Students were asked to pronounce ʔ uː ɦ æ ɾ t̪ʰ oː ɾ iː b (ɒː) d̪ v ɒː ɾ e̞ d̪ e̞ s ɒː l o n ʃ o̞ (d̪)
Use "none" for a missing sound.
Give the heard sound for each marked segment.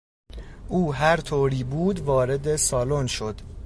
uː, d̪

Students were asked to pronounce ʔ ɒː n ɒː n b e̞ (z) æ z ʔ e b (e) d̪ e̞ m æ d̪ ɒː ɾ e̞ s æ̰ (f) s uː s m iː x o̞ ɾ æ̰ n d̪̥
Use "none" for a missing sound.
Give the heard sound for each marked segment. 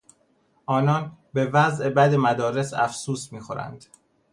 v, æ, f

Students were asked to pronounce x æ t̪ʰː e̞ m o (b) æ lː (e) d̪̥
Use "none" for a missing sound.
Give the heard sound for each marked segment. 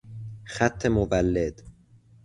v, e

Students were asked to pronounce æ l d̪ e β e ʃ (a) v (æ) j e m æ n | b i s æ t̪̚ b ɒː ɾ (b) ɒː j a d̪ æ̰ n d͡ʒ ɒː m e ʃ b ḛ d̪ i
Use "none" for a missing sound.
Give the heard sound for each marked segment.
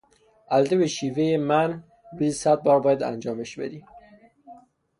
i, e, b

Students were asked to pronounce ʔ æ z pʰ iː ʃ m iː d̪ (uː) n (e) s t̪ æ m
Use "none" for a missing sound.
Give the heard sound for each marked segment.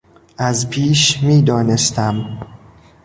ɒː, e

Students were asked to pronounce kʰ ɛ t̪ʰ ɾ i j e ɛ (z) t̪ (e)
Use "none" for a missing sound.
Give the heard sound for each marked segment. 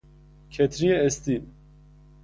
s, i

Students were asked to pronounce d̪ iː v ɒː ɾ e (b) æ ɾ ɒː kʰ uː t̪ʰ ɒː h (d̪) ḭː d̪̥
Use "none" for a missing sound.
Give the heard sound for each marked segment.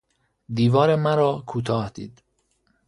m, d̪

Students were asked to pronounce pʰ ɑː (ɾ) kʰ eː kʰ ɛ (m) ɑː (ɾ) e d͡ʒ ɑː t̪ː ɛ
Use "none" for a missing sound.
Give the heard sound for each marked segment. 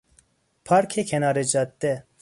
ɾ, n, ɾ

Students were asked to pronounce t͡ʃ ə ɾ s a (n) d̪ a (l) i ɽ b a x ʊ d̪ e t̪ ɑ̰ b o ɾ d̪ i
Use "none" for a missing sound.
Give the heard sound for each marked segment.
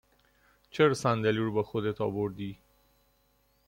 n, l

